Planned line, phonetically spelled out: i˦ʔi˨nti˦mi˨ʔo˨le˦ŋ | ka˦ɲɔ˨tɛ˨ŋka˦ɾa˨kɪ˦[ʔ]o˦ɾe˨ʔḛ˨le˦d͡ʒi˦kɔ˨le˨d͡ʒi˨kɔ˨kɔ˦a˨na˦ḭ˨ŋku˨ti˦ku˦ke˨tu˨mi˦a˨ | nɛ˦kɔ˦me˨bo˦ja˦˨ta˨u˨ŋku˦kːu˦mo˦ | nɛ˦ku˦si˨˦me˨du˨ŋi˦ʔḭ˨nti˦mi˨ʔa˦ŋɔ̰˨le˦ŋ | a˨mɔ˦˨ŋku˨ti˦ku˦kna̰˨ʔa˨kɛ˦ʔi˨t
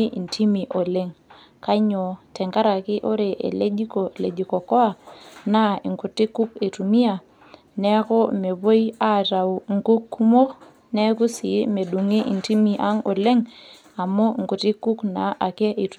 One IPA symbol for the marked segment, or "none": ʔ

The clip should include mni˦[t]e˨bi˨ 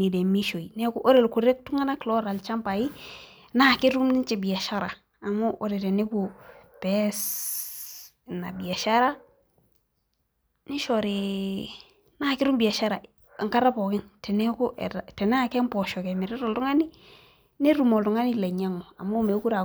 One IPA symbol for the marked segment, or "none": t͡ʃ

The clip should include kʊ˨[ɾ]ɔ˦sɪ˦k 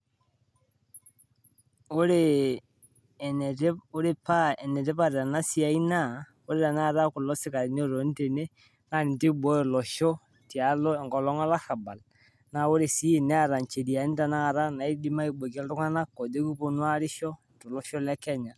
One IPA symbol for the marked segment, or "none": l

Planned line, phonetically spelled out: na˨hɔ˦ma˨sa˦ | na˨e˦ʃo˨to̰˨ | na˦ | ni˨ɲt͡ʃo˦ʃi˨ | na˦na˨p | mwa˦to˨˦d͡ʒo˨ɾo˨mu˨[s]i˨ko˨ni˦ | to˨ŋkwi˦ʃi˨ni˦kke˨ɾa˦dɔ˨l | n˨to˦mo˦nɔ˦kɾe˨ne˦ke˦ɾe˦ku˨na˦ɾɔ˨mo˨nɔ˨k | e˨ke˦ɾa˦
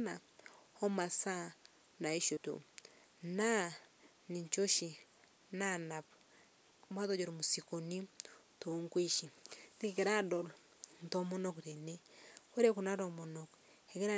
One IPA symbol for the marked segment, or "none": s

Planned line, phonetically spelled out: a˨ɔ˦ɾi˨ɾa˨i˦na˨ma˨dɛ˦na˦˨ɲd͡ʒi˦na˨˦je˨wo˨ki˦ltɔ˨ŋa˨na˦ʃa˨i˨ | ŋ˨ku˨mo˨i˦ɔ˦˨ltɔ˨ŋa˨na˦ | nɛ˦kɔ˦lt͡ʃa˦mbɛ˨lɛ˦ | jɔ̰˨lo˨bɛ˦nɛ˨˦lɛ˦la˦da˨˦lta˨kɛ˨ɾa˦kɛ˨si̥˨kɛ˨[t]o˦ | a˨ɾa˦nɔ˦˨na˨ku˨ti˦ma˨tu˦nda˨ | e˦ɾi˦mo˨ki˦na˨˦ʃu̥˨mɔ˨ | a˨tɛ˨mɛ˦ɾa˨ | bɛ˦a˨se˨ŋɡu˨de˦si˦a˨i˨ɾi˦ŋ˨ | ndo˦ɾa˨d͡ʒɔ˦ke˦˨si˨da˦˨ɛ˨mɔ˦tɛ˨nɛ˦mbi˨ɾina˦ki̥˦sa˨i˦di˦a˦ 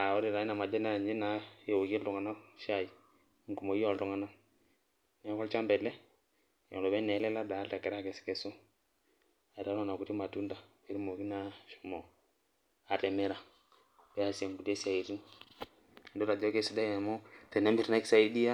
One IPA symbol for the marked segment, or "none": s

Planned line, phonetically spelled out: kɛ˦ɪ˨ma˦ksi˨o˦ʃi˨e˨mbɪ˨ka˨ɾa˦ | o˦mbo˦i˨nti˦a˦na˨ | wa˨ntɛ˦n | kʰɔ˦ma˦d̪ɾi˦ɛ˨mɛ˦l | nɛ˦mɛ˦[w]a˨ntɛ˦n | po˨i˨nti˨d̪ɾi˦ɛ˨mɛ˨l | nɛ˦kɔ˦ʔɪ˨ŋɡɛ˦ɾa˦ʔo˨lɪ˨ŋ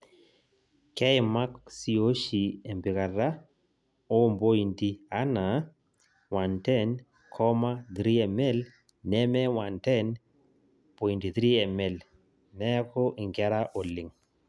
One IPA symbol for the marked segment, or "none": w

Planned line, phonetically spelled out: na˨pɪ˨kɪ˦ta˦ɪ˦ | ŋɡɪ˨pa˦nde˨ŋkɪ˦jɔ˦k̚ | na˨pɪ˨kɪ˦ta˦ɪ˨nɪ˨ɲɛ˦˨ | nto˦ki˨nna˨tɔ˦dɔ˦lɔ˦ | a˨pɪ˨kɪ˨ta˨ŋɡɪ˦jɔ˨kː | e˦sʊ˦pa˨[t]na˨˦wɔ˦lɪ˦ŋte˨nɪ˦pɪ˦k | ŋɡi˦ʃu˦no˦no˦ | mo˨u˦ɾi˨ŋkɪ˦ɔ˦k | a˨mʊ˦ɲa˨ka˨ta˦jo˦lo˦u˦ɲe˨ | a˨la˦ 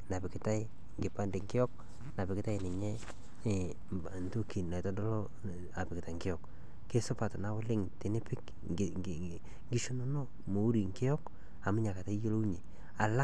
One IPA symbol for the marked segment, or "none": t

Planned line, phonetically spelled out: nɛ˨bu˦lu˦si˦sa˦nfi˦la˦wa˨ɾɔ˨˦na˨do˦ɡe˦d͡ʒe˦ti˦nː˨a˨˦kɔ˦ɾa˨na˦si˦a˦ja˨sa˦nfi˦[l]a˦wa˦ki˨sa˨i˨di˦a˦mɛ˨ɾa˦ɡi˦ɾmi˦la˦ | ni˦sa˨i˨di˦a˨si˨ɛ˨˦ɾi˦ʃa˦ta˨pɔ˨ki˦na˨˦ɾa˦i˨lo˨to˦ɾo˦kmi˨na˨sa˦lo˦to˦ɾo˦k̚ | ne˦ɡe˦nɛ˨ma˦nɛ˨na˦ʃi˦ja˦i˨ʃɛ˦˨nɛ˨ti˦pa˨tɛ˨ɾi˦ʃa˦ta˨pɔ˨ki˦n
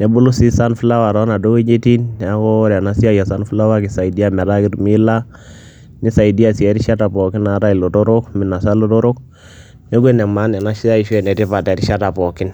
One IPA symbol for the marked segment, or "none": l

